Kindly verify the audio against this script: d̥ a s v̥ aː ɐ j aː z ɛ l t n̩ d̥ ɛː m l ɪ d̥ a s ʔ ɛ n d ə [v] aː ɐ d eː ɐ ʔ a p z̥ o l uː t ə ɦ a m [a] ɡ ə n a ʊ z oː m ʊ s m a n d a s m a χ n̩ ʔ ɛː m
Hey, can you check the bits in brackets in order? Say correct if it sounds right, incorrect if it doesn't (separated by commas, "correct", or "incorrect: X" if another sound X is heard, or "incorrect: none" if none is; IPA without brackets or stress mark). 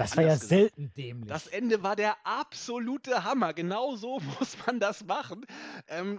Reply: correct, incorrect: ɐ